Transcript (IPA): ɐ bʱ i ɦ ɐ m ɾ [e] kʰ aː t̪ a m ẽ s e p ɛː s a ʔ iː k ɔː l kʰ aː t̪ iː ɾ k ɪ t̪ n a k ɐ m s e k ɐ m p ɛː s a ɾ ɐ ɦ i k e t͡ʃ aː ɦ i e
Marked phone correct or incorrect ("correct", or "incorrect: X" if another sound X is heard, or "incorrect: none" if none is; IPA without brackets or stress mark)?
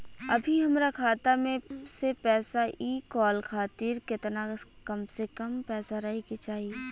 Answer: incorrect: a